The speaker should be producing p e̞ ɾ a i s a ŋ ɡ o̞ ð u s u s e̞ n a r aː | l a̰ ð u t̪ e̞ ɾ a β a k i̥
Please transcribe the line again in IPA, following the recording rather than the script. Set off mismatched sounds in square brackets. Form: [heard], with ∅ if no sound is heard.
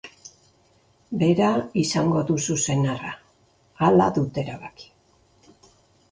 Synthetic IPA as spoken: [b] e̞ ɾ a i s a ŋ ɡ o̞ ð u s u s e̞ n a r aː | l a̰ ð u t̪ e̞ ɾ a β a k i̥